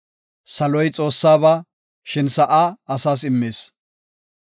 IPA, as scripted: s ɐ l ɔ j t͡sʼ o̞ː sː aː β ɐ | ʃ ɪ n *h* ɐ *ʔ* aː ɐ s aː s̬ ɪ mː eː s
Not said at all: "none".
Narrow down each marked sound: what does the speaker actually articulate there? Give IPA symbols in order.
s, ʔ

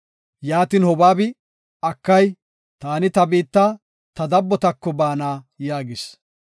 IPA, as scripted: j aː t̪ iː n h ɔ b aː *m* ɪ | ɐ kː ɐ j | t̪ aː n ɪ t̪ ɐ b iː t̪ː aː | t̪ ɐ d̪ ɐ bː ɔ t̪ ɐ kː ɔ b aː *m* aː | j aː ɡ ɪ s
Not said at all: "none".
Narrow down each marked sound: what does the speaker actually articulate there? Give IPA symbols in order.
b, n

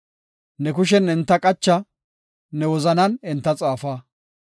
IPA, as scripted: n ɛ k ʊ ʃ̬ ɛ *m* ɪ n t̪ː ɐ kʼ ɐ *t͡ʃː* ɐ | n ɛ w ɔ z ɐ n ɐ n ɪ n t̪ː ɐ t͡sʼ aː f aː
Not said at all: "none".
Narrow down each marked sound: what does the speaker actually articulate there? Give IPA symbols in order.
n, t͡ʃː

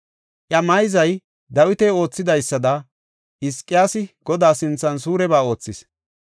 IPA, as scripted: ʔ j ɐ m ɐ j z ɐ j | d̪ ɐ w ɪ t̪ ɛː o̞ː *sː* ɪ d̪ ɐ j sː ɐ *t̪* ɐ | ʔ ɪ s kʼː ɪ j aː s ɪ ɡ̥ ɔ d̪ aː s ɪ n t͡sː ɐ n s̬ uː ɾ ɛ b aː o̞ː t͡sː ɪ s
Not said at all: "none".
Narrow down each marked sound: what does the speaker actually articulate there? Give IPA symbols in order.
t͡sː, d̪

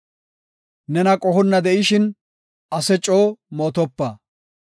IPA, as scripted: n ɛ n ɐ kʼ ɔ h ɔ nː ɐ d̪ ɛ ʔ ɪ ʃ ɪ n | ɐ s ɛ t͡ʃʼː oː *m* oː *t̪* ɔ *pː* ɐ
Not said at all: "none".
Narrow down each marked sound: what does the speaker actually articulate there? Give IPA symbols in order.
m, t̪, pː

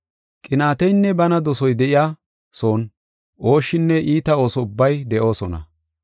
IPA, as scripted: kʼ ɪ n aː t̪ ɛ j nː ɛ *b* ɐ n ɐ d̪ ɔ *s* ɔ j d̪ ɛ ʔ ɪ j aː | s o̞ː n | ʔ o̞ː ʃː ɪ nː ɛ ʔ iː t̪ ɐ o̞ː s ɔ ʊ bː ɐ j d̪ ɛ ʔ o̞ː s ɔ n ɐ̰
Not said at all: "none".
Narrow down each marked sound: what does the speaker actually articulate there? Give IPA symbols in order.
b, s

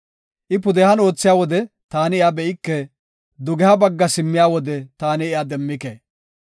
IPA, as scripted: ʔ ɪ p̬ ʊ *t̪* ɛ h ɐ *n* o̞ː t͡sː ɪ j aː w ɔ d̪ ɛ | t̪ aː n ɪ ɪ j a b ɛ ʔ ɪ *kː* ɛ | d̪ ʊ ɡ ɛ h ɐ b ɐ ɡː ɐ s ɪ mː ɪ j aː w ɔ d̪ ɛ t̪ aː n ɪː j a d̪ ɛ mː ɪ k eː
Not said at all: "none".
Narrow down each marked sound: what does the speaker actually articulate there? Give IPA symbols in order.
d̪, n, kː

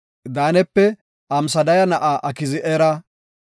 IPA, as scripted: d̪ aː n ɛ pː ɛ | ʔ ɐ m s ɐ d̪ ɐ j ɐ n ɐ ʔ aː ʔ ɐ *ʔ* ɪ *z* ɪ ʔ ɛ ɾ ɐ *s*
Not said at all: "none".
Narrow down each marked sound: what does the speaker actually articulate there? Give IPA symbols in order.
k, z, none

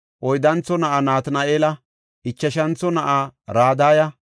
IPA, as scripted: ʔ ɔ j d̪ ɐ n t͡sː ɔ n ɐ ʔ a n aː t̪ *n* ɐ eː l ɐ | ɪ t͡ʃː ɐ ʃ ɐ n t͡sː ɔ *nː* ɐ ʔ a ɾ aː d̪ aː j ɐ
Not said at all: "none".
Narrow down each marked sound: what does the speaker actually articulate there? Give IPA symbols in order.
n, n

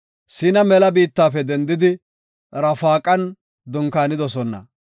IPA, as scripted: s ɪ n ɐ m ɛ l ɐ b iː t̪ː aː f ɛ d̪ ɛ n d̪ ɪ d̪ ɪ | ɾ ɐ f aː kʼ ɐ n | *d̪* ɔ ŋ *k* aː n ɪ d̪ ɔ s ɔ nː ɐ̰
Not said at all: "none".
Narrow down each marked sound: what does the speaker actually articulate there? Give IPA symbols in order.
d̪, k

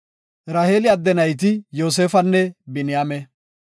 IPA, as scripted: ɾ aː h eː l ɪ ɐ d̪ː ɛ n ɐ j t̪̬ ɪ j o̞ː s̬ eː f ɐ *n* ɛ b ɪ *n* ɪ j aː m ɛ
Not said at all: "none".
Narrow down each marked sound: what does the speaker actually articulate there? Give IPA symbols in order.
nː, n

